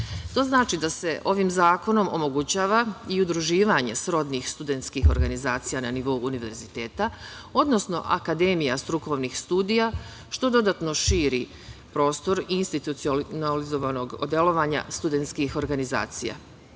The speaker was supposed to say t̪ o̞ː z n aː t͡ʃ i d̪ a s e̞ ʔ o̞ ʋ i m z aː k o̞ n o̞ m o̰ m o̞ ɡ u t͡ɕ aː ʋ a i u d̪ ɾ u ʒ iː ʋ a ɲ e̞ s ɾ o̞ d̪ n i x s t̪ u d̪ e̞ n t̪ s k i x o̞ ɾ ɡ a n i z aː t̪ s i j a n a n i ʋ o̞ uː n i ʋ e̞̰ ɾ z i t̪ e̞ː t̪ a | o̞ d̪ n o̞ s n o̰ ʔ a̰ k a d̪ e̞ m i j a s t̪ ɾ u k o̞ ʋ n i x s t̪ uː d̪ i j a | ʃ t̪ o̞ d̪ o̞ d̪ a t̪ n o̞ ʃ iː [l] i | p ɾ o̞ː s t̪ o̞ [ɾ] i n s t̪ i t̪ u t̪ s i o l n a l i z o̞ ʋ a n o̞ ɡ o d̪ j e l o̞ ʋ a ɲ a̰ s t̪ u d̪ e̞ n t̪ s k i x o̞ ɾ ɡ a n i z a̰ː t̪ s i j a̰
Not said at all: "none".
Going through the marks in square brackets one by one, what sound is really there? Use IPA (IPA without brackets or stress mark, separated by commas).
ɾ, ɾ